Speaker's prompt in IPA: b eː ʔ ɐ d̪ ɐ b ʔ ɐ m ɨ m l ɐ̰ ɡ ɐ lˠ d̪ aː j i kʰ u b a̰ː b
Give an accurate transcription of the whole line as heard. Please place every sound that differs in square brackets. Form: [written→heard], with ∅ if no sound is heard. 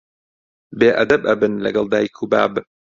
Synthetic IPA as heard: b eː ʔ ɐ d̪ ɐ b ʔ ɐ [m→b] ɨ [m→n] l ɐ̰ ɡ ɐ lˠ d̪ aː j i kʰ u b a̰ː b